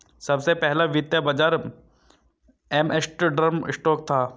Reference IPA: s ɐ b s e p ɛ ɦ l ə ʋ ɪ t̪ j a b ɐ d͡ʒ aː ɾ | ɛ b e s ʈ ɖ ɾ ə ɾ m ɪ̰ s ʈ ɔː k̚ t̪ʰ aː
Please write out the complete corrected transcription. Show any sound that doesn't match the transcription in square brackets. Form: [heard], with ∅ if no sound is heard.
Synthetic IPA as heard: s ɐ b s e p ɛ ɦ l [a] ʋ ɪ t̪ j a b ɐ d͡ʒ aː ɾ | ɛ [m] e s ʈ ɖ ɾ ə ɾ m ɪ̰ s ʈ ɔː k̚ t̪ʰ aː